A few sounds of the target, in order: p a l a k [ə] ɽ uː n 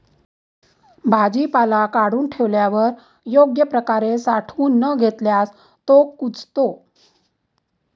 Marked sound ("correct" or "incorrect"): incorrect